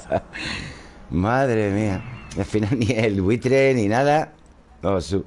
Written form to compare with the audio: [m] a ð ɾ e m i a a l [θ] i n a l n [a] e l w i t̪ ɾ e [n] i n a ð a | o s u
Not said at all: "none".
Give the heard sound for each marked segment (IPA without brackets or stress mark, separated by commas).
m, f, i, n